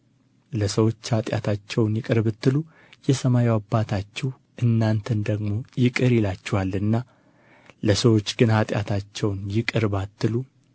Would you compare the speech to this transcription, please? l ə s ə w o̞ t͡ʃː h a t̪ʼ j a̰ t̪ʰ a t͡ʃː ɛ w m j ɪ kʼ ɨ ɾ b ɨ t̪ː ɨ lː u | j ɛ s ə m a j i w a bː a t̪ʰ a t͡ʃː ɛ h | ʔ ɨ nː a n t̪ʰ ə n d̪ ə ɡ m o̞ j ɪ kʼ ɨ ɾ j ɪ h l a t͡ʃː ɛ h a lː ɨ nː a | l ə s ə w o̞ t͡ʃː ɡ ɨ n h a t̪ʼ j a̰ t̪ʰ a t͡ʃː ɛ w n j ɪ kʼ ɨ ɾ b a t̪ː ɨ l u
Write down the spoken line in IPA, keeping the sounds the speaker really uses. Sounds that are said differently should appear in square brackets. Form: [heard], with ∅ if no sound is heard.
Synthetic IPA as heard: l ə s ə w o̞ t͡ʃː h a t̪ʼ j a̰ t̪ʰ a t͡ʃː ɛ w [n] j ɪ kʼ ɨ ɾ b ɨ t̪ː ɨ [l] u | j ɛ s ə m a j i w a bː a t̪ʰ a t͡ʃː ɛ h | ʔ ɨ nː a n t̪ʰ ə n d̪ ə ɡ m o̞ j ɪ kʼ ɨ ɾ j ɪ [∅] l a t͡ʃː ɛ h a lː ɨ nː a | l ə s ə w o̞ t͡ʃː ɡ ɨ n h a t̪ʼ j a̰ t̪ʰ a t͡ʃː ɛ w n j ɪ kʼ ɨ ɾ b a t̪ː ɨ l u